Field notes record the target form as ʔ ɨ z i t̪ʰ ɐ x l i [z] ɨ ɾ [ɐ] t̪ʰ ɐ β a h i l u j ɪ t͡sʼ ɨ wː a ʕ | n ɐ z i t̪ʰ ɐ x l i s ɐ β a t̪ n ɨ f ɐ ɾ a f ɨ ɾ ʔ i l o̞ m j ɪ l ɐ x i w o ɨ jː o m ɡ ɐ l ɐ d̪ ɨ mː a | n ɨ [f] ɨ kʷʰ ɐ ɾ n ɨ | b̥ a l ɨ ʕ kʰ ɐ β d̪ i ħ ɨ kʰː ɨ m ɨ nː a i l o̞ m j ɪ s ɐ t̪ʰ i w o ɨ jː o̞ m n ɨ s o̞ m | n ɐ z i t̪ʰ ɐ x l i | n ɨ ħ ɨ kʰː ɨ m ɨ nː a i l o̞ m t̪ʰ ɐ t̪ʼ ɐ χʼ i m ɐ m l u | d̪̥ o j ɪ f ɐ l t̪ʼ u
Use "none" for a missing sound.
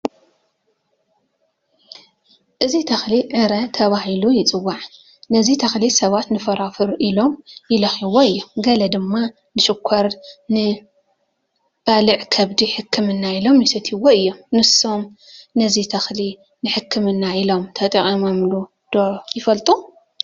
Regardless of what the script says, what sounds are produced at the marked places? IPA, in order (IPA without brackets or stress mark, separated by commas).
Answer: ʕ, ɐ, ʃ